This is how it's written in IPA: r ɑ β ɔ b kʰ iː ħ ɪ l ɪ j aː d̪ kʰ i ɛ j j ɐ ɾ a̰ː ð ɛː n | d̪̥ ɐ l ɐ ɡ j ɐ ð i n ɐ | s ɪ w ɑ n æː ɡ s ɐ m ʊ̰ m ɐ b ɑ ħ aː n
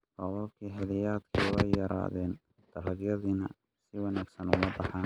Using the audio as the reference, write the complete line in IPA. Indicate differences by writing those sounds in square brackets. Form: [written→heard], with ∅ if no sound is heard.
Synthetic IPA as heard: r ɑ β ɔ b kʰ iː ħ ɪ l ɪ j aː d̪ kʰ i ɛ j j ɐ ɾ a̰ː ð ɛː n | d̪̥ ɐ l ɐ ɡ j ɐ ð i n ɐ | s ɪ w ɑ n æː ɡ s ɐ [m→n] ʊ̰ m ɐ b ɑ ħ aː n

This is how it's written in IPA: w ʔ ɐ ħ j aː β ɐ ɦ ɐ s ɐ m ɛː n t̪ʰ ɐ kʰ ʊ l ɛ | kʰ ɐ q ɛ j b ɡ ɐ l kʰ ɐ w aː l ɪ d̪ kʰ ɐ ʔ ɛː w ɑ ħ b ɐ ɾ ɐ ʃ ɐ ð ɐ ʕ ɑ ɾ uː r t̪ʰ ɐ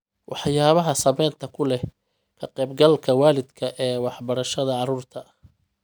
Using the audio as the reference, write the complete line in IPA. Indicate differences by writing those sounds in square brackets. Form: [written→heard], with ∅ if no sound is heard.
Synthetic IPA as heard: w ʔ [ɐ→ɑ] ħ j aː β ɐ ɦ ɐ s ɐ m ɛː n t̪ʰ ɐ kʰ ʊ l ɛ | kʰ ɐ q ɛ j b ɡ ɐ l kʰ ɐ w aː l ɪ d̪ kʰ ɐ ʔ ɛː w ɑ ħ b ɐ ɾ ɐ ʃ ɐ ð ɐ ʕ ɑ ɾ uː r t̪ʰ ɐ

